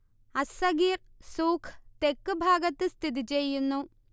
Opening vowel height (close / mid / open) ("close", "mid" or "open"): open